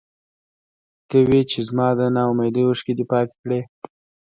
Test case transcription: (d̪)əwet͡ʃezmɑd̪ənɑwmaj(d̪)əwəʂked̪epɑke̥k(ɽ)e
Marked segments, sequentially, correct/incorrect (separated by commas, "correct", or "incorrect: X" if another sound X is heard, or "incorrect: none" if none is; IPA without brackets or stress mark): incorrect: t̪, correct, correct